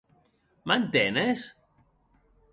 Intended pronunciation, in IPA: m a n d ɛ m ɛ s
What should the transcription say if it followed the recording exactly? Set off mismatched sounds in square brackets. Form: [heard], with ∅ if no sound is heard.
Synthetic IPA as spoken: m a n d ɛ [n] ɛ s

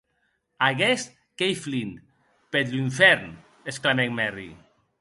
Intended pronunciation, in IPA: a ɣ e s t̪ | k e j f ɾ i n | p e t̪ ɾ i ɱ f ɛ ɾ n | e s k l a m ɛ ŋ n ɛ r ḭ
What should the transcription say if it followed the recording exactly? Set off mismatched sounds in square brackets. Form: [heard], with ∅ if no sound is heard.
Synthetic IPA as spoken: a ɣ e s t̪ | k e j f [l] i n | p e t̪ [l] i ɱ f ɛ ɾ n | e s k l a m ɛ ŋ [m] ɛ r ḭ

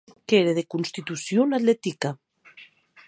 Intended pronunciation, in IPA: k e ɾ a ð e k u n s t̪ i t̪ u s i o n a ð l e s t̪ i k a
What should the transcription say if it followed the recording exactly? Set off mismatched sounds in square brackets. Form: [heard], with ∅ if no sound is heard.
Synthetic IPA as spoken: k e ɾ [e] ð e k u n s t̪ i t̪ u s [j] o n a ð l e [∅] t̪ i k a

